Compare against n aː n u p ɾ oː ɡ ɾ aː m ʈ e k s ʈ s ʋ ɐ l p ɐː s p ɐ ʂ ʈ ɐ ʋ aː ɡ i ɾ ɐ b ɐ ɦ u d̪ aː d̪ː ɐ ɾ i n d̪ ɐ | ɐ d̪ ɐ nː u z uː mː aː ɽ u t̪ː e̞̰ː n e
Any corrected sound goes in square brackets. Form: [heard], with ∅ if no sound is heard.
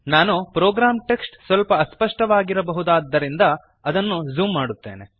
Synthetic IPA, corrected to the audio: n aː n u p ɾ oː ɡ ɾ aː m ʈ e k s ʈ s ʋ ɐ l p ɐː s p ɐ ʂ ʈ ɐ ʋ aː ɡ i ɾ ɐ b ɐ ɦ u d̪ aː d̪ː ɐ ɾ i n d̪ ɐ | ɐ d̪ ɐ nː u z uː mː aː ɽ u t̪ː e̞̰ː n e